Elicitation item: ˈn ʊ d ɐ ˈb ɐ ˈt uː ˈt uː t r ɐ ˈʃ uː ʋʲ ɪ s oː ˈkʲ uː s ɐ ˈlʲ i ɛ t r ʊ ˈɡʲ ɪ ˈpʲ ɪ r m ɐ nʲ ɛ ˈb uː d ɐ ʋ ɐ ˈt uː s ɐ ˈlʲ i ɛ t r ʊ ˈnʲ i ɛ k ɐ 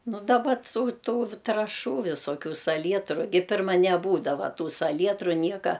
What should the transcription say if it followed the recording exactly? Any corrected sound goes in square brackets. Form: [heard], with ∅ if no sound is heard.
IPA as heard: ˈn ʊ d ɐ ˈb ɐ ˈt uː ˈt uː t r ɐ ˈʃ uː ʋʲ ɪ s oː ˈkʲ uː s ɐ ˈlʲ i ɛ t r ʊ ˈɡʲ ɪ ˈpʲ ɪ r m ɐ nʲ ɛ ˈb uː d ɐ ʋ ɐ ˈt uː s ɐ ˈlʲ i ɛ t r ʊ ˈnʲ i ɛ k ɐ